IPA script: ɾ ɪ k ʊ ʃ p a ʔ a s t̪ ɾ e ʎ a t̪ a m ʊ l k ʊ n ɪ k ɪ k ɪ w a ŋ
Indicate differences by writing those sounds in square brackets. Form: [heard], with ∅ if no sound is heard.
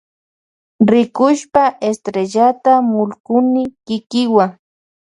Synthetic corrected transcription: ɾ ɪ k ʊ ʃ p a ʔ [e] s t̪ ɾ e ʎ a t̪ a m ʊ l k ʊ n ɪ k ɪ k ɪ w a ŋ